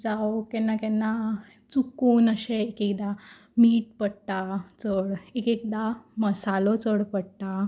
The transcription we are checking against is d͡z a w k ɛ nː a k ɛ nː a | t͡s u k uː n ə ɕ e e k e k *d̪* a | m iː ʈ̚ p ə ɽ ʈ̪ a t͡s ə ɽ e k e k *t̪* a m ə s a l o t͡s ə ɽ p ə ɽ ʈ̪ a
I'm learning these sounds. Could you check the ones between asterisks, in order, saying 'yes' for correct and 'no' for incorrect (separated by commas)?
yes, no